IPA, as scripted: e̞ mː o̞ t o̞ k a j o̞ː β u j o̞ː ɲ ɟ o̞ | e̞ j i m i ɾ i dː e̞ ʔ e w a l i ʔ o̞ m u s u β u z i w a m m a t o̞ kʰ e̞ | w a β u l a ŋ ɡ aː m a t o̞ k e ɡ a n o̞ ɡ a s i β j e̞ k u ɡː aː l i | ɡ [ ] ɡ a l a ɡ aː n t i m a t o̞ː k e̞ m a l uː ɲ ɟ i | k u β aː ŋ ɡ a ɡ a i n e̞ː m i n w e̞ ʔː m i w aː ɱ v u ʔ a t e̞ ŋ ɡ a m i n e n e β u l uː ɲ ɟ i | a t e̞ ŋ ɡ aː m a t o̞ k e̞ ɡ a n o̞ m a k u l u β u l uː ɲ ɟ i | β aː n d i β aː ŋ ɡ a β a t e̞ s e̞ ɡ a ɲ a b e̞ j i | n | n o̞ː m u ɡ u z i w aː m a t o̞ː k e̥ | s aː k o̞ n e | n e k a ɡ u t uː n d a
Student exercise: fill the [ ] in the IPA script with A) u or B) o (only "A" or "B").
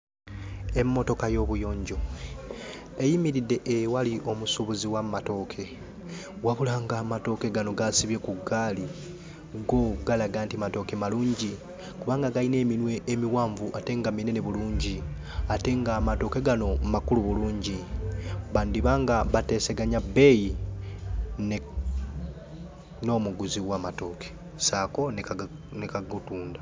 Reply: B